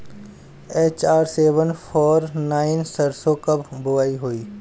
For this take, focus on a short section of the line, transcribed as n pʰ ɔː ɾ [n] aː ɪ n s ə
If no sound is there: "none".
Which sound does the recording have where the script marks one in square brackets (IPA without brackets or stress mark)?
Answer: n